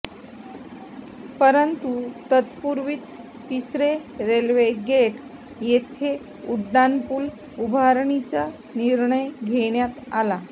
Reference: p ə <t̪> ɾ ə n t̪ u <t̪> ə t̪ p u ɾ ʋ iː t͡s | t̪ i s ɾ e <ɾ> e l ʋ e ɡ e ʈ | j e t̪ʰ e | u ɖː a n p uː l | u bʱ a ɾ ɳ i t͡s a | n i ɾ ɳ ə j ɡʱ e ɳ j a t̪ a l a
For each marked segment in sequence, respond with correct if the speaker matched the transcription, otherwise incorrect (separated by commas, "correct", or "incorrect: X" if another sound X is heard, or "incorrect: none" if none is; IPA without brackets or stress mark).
incorrect: none, correct, correct